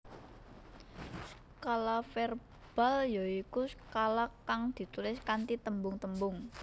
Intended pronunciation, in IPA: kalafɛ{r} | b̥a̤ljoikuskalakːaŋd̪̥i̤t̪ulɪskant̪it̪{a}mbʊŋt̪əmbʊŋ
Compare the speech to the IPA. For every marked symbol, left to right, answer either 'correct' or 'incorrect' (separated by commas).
correct, incorrect